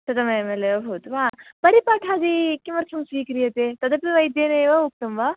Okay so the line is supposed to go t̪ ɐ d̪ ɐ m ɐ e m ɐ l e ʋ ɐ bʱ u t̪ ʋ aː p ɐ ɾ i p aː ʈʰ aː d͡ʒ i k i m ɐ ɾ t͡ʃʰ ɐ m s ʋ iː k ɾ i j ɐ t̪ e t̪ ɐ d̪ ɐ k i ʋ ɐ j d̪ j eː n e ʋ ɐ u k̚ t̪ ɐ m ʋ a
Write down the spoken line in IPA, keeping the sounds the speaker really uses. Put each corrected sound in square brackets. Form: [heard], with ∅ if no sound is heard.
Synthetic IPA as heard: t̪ ɐ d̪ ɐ m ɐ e m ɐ l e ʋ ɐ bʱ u t̪ ʋ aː p ɐ ɾ i p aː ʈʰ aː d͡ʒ i k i m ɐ ɾ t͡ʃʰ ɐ m s ʋ iː k ɾ i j ɐ t̪ e t̪ ɐ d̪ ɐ [p] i ʋ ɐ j d̪ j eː n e ʋ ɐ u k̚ t̪ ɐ m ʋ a